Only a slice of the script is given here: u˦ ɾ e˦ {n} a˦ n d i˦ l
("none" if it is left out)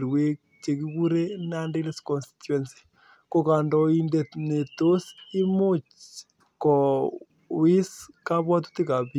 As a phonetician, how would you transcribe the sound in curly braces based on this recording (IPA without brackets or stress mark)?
n